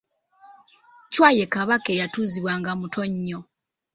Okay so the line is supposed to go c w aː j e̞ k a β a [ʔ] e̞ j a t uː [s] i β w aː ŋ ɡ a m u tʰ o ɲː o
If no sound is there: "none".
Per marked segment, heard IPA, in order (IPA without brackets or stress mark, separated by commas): k, z